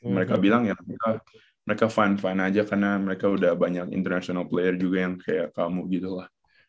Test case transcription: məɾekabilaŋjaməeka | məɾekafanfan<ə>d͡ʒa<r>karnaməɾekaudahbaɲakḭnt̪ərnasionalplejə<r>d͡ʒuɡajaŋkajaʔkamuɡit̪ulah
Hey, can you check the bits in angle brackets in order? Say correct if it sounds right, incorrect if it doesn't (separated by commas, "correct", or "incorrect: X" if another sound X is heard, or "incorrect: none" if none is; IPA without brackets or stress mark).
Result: incorrect: a, incorrect: none, correct